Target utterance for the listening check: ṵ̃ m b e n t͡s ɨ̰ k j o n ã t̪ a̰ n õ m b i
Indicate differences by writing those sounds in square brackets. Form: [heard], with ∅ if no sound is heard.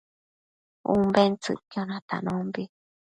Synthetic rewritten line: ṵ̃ m b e n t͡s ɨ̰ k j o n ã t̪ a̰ n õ m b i